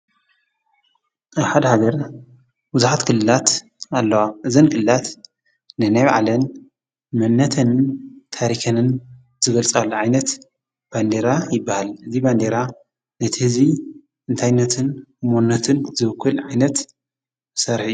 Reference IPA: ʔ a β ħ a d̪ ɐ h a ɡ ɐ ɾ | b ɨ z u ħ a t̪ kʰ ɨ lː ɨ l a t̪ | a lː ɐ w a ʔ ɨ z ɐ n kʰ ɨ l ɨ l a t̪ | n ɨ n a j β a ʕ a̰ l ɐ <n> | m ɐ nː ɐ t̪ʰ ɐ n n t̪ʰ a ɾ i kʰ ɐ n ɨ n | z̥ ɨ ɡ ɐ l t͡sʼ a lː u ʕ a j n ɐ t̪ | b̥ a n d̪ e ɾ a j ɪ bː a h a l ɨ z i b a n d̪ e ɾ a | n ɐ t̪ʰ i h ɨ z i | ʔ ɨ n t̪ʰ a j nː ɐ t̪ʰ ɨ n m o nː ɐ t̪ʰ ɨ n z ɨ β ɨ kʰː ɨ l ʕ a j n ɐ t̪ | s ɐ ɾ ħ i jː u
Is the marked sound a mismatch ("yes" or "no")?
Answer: no